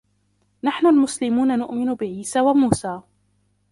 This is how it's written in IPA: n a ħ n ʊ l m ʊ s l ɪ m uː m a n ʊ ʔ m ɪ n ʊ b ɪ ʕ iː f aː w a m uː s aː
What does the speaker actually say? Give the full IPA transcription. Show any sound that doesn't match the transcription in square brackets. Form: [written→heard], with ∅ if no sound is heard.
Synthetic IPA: n a ħ n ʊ l m ʊ s l ɪ m uː [m→n] a n ʊ ʔ m ɪ n ʊ b ɪ ʕ iː [f→s] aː w a m uː s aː